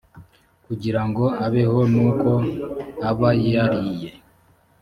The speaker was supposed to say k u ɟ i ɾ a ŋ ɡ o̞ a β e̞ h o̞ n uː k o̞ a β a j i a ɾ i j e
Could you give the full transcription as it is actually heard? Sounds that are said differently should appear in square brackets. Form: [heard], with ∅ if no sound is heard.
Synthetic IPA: k u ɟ i ɾ a ŋ ɡ o̞ a β e̞ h o̞ n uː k o̞ a β a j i a ɾ i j e

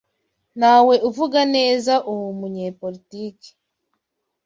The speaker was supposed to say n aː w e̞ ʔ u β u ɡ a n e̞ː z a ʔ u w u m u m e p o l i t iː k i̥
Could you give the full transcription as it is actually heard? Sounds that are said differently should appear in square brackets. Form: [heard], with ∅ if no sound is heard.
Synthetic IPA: n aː w e̞ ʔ u [v] u ɡ a n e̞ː z a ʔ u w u m u [ɲ] e p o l i t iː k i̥

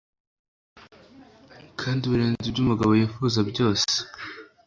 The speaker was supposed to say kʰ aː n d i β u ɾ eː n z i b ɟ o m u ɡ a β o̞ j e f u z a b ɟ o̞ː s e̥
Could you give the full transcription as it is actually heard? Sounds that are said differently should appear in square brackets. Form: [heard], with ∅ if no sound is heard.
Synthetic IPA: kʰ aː n d i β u ɾ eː n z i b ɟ [u] m u ɡ a β o̞ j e f u z a b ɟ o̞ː s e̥

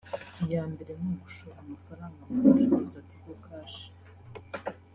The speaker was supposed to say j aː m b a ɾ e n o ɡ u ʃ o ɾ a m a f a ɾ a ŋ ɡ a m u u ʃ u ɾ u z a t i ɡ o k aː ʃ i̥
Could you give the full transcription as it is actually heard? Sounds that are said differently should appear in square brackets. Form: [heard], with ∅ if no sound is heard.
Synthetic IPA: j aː m b [e] ɾ e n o ɡ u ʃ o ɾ a m a f a ɾ a ŋ ɡ a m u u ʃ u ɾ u z a t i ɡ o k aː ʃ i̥

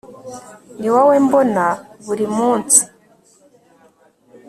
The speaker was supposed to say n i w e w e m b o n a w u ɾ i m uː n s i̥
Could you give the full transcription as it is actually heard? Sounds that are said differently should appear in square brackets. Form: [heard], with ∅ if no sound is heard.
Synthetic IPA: n i w [a] w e m b o n a [β] u ɾ i m uː n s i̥

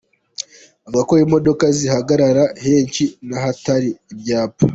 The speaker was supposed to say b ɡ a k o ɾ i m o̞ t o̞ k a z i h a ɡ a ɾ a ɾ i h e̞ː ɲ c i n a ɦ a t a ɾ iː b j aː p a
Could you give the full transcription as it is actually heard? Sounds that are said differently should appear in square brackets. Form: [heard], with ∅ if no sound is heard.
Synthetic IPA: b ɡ a k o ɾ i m o̞ [d] o̞ k a z i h a ɡ a ɾ a ɾ [a] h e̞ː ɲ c i n a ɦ a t a ɾ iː b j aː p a

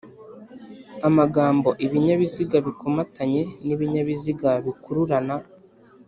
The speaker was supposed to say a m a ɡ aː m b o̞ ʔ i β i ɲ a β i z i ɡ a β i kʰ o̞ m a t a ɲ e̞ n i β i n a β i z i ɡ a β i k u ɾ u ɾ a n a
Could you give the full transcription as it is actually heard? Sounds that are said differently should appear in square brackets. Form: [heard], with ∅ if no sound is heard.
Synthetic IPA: a m a ɡ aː m b o̞ ʔ i β i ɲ a β i z i ɡ a β i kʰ o̞ m a t a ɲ e̞ n i β i [ɲ] a β i z i ɡ a β i k u ɾ u ɾ a n a

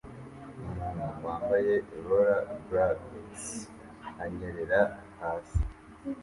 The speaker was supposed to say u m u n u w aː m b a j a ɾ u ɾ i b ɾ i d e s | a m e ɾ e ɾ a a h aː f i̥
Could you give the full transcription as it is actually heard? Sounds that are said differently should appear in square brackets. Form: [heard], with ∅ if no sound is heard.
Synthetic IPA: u m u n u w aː m b a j [e] ɾ [o] ɾ [a] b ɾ [a] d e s | a [ɲ] e ɾ e ɾ a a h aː [s] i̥

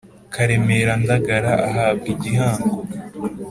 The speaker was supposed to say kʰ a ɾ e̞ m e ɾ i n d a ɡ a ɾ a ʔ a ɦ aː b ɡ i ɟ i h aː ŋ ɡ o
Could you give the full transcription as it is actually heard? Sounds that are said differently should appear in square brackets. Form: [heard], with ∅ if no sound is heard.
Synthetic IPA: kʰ a ɾ e̞ m e ɾ [a] n d a ɡ a ɾ a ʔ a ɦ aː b ɡ i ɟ i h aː ŋ ɡ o

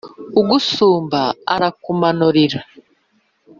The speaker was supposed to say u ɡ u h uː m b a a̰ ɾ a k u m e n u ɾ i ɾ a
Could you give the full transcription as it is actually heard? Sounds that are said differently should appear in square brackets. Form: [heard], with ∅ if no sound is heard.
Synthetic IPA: u ɡ u [s] uː m b a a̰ ɾ a k u m [a] n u ɾ i ɾ a

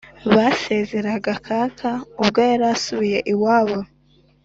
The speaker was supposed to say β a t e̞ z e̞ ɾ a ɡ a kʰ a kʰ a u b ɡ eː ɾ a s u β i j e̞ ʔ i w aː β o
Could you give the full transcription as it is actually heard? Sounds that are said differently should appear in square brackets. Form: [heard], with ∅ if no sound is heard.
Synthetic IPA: β a [s] e̞ z e̞ ɾ a ɡ a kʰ a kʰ a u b ɡ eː ɾ a s u β i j e̞ ʔ i w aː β o

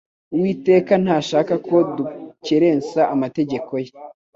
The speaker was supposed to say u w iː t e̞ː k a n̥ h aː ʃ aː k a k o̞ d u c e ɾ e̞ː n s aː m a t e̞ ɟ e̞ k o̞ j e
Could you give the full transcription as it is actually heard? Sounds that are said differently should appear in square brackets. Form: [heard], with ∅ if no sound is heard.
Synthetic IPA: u w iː t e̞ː k a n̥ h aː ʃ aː k a k o̞ d u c e ɾ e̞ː n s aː m a t e̞ ɟ e̞ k o̞ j e

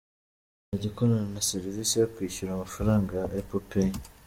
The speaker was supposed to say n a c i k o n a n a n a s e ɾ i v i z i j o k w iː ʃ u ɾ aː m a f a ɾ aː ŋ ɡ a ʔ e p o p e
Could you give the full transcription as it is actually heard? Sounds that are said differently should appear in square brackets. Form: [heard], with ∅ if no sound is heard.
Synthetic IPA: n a [ɟ] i k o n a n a n a s e ɾ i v i [s] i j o k w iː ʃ u ɾ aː m a f a ɾ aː ŋ ɡ a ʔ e p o p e

